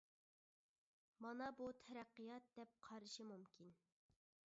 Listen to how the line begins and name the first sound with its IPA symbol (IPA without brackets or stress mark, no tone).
m